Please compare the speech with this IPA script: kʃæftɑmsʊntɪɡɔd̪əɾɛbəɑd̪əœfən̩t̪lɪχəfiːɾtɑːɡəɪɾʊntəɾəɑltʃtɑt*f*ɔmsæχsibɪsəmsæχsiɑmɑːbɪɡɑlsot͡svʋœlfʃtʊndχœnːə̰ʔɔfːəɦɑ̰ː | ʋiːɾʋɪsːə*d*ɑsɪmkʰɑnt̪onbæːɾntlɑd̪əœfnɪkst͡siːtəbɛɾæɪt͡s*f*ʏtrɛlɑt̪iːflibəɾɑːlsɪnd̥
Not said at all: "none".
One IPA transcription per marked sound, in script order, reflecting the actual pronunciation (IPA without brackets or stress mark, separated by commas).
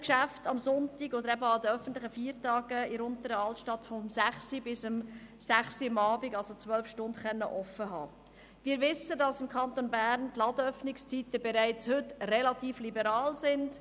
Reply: f, d, h